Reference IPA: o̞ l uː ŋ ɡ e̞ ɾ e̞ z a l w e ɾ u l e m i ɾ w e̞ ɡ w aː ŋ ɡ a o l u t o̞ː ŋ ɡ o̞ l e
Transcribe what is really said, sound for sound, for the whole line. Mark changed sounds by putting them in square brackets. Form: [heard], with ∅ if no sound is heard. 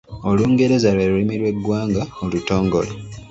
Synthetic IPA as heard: o̞ l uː ŋ ɡ e̞ ɾ e̞ z a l w e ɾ u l [i] m i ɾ w e̞ ɡ w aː ŋ ɡ a o l u t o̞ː ŋ ɡ o̞ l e